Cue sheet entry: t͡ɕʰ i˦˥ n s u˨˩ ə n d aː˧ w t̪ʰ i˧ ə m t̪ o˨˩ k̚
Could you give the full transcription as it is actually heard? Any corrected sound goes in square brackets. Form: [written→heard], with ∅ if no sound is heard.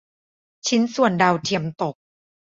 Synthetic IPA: t͡ɕʰ i˦˥ n s u˨˩ ə n d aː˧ w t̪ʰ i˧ ə m t̪ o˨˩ k̚

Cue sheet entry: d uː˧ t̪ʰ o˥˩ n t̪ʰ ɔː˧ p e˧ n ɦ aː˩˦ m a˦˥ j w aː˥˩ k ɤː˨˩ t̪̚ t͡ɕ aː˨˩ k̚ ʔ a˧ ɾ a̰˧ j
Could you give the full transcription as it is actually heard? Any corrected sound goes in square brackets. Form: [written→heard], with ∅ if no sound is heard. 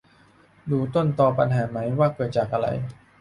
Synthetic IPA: d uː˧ [t̪ʰ→t̪] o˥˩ n [t̪ʰ→t̪] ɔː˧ p [e˧→a˧] n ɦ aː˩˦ m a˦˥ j w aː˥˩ k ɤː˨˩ t̪̚ t͡ɕ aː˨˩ k̚ ʔ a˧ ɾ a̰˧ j

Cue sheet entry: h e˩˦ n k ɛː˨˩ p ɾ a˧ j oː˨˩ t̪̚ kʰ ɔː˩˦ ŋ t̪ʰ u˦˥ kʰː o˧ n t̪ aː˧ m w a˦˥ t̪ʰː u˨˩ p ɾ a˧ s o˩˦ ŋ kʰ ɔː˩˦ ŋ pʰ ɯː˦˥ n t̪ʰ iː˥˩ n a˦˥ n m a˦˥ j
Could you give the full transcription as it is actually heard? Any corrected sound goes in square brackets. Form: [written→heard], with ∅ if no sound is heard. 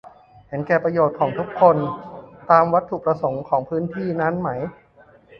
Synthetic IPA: h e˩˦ n k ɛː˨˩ p ɾ a˧ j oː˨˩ t̪̚ kʰ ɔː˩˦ ŋ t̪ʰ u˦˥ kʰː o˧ n t̪ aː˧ m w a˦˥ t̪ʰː u˨˩ p ɾ a˧ s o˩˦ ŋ kʰ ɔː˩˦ ŋ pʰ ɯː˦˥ n t̪ʰ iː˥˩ n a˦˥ n m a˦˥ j

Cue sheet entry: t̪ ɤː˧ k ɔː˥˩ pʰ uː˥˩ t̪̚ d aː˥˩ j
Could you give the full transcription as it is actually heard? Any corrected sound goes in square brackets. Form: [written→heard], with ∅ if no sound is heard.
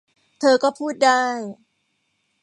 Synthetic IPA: [t̪→t̪ʰ] ɤː˧ k ɔː˥˩ pʰ uː˥˩ t̪̚ d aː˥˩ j

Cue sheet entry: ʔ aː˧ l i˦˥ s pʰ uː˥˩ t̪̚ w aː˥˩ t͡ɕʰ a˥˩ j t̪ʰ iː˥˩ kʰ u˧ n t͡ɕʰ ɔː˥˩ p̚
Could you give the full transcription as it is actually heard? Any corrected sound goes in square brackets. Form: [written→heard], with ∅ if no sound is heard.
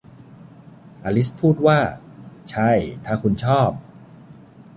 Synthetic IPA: ʔ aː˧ l i˦˥ s pʰ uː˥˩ t̪̚ w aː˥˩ t͡ɕʰ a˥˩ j t̪ʰ [iː˥˩→aː˥˩] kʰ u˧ n t͡ɕʰ ɔː˥˩ p̚

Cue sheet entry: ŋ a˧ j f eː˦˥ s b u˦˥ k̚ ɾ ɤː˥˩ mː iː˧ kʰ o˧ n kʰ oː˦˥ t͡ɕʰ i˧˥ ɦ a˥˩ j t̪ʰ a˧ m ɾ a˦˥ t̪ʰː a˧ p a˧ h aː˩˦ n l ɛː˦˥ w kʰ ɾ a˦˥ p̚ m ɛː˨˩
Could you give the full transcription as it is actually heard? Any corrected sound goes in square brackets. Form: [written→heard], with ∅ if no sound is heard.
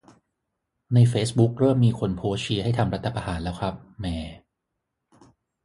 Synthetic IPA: [ŋ→n] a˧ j f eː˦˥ s b u˦˥ k̚ ɾ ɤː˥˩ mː iː˧ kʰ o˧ n [kʰ→pʰ] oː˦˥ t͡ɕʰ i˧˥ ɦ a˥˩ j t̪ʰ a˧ m ɾ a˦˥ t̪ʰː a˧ p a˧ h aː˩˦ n l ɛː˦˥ w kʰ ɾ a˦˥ p̚ m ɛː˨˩

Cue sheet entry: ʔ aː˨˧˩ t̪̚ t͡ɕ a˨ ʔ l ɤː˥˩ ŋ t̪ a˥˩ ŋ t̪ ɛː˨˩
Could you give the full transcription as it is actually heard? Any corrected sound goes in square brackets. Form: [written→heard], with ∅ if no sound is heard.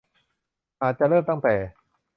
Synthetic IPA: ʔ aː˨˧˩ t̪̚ t͡ɕ a˨ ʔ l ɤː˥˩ [ŋ→m] t̪ a˥˩ ŋ t̪ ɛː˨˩

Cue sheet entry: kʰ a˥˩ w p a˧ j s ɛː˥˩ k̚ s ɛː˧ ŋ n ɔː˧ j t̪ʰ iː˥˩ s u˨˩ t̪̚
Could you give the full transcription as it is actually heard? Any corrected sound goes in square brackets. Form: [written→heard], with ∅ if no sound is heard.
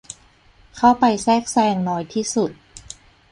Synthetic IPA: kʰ a˥˩ w p a˧ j s ɛː˥˩ k̚ s ɛː˧ ŋ n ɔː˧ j t̪ʰ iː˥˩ s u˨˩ t̪̚

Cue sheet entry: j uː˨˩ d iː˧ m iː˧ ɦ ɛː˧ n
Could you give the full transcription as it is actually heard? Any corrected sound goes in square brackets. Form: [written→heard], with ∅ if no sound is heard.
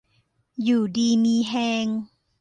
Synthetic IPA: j uː˨˩ d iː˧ m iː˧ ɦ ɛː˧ [n→ŋ]

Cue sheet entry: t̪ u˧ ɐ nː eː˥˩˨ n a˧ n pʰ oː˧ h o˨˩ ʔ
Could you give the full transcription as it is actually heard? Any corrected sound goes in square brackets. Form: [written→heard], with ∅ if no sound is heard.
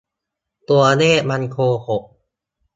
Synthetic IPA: t̪ u˧ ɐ [nː→n] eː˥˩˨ [n→m] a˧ n [pʰ→kʰ] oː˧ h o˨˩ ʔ

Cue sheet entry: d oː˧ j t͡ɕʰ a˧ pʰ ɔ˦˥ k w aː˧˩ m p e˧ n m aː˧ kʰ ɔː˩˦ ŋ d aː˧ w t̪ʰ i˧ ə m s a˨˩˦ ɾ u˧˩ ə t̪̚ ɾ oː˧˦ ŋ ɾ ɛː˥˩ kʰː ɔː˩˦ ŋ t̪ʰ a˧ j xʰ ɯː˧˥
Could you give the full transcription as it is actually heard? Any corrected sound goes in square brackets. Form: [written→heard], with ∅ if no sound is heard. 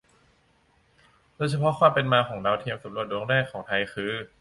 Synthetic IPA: d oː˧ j t͡ɕʰ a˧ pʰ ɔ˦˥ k w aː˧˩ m p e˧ n m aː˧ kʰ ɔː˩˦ ŋ d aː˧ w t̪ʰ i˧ ə m s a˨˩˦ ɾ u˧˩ ə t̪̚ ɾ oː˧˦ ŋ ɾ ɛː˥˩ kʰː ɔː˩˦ ŋ t̪ʰ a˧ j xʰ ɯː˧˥

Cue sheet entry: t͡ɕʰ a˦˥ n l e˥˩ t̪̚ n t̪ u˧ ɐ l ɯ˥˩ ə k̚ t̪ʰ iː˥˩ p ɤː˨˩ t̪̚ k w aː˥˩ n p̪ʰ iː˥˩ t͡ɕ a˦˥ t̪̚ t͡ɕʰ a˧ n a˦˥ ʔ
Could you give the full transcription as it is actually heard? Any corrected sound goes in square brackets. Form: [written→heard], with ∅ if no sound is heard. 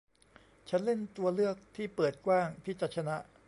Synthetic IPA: t͡ɕʰ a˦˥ n l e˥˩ [t̪̚→∅] n t̪ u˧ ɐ l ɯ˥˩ ə k̚ t̪ʰ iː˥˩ p ɤː˨˩ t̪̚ k w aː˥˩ [n→ŋ] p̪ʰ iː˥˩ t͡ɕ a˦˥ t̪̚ t͡ɕʰ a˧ n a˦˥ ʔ

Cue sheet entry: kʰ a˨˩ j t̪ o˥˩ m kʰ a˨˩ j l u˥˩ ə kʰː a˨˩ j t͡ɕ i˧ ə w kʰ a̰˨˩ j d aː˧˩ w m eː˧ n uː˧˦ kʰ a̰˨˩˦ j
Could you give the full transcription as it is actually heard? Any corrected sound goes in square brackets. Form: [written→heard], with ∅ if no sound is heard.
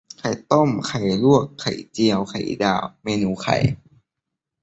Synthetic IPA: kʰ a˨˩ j t̪ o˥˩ m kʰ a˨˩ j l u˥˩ ə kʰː a˨˩ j t͡ɕ i˧ ə w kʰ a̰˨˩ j d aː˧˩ w m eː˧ n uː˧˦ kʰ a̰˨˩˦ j

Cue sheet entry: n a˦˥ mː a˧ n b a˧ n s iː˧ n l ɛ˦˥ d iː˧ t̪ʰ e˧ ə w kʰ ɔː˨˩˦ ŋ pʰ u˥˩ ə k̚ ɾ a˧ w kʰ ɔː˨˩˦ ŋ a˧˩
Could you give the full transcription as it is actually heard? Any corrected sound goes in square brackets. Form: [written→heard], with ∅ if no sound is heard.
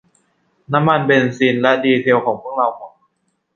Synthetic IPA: n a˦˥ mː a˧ n b [a˧→e˧] n s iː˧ n l ɛ˦˥ d iː˧ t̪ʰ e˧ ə w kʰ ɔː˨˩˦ ŋ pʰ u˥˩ ə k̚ ɾ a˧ w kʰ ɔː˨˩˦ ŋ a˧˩

